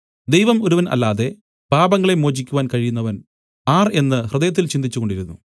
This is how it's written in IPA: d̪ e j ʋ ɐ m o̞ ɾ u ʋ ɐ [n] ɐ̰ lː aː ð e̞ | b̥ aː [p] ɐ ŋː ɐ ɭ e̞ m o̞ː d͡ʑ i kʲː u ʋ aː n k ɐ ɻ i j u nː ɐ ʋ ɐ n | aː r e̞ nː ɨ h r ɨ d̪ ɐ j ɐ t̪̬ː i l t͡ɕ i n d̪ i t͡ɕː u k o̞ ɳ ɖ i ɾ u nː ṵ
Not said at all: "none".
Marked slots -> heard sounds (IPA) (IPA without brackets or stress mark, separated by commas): n, b